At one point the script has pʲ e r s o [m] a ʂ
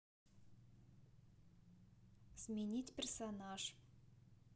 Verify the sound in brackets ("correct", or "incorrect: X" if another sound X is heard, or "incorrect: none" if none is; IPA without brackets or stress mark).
incorrect: n